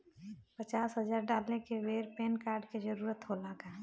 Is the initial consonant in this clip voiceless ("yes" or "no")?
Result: yes